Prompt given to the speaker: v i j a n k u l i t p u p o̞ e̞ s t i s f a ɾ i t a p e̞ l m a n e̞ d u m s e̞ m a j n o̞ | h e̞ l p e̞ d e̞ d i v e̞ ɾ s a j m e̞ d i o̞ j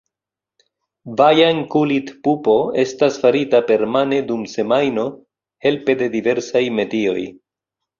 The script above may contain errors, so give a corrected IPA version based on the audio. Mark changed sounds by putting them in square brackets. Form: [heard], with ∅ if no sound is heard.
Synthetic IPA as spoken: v [a] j a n k u l i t p u p o̞ e̞ s t [a] s f a ɾ i t a p e̞ [ɾ] m a n e̞ d u m s e̞ m a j n o̞ | h e̞ l p e̞ d e̞ d i v e̞ ɾ s a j m e̞ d i o̞ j